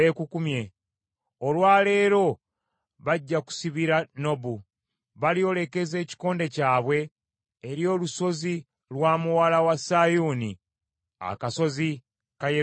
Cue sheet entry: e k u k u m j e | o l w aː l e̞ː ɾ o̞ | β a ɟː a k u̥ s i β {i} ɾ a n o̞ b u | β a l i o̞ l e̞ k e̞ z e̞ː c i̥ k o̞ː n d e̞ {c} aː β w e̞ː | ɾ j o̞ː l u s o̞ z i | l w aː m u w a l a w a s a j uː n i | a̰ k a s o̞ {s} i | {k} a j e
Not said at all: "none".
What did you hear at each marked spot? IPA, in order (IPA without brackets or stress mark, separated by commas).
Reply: i, c, z, k